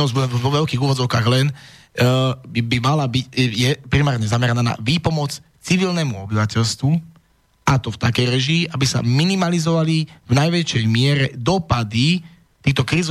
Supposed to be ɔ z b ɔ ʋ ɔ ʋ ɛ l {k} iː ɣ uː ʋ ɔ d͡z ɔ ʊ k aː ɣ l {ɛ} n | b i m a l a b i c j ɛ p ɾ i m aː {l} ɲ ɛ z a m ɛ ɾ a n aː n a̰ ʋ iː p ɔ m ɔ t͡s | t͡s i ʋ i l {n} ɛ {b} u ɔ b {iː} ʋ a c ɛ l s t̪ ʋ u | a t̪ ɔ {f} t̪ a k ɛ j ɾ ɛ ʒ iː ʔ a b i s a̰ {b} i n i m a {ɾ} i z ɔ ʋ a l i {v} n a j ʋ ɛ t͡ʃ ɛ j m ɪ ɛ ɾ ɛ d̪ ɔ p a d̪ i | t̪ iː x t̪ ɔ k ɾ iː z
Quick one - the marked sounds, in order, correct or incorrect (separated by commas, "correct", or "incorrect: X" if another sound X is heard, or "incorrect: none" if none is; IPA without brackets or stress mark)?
correct, correct, incorrect: ɾ, correct, incorrect: m, incorrect: i, correct, incorrect: m, incorrect: l, correct